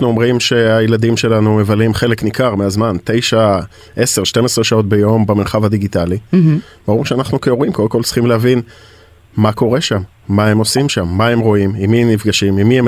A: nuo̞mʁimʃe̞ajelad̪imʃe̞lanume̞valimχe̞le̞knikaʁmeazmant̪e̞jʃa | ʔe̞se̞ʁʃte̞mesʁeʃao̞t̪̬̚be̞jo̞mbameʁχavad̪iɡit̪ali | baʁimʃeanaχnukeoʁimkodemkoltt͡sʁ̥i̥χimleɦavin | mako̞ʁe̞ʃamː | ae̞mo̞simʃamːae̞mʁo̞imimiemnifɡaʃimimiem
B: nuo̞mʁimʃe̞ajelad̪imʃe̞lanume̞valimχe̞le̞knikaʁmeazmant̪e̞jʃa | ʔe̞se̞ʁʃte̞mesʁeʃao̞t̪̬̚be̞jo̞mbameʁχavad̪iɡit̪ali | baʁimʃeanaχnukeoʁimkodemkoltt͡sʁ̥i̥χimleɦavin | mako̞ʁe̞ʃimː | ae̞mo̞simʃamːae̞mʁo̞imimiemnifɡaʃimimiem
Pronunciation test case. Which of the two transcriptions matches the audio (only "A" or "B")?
A